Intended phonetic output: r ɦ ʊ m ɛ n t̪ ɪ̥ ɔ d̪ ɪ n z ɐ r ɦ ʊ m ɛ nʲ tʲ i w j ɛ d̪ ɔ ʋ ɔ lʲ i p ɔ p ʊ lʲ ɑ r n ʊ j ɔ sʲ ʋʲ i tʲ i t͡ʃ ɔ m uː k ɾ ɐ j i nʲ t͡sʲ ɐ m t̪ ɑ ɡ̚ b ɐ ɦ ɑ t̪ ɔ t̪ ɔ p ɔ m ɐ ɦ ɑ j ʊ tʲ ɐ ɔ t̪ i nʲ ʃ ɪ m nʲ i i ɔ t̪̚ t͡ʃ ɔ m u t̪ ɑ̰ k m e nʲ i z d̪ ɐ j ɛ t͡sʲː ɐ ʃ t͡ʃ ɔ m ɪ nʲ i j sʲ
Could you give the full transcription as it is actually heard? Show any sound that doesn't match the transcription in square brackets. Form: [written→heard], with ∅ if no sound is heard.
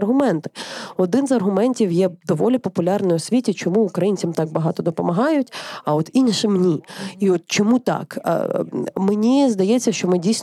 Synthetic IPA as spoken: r ɦ ʊ m ɛ n t̪ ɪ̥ ɔ d̪ ɪ n z ɐ r ɦ ʊ m ɛ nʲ tʲ i w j ɛ d̪ ɔ ʋ ɔ lʲ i p ɔ p ʊ lʲ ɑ r n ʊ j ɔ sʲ ʋʲ i tʲ i t͡ʃ ɔ m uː k ɾ ɐ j i nʲ t͡sʲ ɐ m t̪ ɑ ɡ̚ b ɐ ɦ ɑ t̪ ɔ [t̪→d̪] ɔ p ɔ m ɐ ɦ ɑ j ʊ tʲ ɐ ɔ t̪ i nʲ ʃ ɪ m nʲ i i ɔ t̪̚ t͡ʃ ɔ m u t̪ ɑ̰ k m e nʲ i z d̪ ɐ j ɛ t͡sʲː ɐ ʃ t͡ʃ ɔ m ɪ [nʲ→dʲ] i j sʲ